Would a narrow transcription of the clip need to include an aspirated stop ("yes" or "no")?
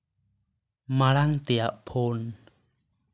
yes